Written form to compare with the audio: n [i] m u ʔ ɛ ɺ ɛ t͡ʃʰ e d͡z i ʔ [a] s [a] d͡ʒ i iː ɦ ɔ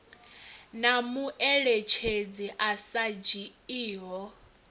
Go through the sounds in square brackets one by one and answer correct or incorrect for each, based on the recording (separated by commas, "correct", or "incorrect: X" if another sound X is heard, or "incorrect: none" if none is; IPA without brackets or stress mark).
incorrect: a, correct, correct